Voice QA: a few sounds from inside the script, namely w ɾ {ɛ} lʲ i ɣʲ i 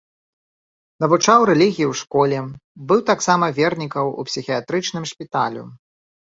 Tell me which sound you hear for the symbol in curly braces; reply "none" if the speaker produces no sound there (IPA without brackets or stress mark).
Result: ɛ